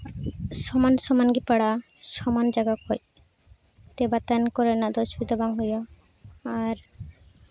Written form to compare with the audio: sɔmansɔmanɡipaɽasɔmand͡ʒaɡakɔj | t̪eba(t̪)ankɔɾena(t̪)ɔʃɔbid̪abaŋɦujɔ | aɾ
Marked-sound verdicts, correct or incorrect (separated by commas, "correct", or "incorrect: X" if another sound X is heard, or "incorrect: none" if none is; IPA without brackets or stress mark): correct, incorrect: d̪